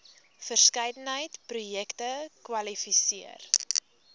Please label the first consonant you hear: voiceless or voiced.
voiceless